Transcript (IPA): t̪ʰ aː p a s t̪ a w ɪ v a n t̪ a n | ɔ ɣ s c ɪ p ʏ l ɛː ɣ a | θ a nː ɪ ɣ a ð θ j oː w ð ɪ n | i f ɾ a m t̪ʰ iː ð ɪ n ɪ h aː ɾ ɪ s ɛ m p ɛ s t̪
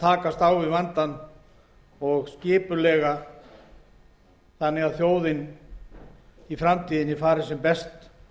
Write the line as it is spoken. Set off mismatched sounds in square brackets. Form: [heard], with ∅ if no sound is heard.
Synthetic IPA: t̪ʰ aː [k] a s t̪ a w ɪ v a n t̪ a n | ɔ ɣ s c [ɪː] p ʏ l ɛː ɣ a | θ a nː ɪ ɣ a ð θ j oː w ð ɪ n | i f ɾ a m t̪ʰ iː ð ɪ n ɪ [f] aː ɾ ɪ s ɛ m p ɛ s t̪